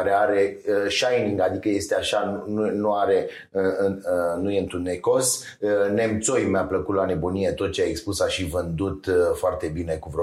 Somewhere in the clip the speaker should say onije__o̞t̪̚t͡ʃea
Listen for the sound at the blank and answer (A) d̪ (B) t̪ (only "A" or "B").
B